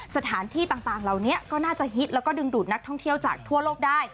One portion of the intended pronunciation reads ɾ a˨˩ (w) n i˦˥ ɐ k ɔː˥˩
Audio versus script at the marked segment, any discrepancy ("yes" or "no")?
no